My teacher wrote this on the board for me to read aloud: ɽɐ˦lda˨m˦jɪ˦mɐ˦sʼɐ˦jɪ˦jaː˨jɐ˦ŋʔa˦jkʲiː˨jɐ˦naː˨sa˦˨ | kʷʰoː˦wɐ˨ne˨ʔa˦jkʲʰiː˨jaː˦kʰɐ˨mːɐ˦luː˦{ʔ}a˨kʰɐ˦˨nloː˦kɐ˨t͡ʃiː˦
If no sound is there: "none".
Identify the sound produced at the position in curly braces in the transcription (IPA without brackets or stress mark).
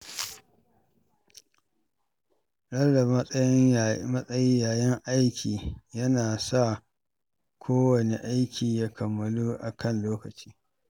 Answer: ʔ